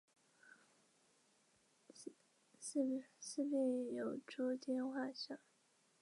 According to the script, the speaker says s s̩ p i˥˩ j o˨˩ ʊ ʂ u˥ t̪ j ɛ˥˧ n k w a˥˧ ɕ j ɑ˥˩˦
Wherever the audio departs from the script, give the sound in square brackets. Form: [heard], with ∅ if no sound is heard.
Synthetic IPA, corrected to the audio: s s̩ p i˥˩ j o˨˩ ʊ [ʈ͡ʂ] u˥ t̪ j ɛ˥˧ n [x] w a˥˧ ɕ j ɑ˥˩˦